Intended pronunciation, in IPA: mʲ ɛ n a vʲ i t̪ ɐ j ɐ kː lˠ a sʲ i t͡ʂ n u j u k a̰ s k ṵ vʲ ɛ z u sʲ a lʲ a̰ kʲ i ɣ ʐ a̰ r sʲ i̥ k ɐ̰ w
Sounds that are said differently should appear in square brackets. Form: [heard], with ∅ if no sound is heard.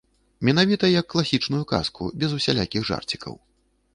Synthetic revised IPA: mʲ ɛ n a vʲ i t̪ ɐ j ɐ kː lˠ a sʲ i t͡ʂ n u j u k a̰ s k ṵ [bʲ] ɛ z u sʲ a lʲ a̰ kʲ i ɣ ʐ a̰ r [t͡sʲ] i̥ k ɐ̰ w